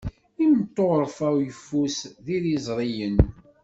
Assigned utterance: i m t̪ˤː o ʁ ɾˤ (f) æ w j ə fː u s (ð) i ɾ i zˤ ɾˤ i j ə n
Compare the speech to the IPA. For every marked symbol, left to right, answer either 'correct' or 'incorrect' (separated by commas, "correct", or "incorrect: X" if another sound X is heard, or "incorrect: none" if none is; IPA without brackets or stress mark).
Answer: correct, correct